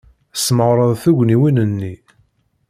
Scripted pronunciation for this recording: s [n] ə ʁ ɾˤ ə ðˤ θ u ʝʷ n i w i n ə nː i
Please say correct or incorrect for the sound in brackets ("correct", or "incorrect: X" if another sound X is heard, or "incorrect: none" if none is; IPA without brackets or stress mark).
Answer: incorrect: m